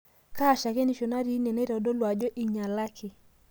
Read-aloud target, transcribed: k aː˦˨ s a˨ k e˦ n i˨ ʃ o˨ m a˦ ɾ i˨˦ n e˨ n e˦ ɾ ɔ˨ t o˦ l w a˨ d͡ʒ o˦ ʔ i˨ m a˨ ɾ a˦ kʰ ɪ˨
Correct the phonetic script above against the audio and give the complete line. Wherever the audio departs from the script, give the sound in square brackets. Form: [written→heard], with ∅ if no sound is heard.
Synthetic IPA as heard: k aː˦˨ [s→ʃ] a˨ k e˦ n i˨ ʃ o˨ [m→n] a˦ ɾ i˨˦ n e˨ n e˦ ɾ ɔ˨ [t→d] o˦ l w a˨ d͡ʒ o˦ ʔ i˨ [m→ɲ] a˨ [ɾ→l] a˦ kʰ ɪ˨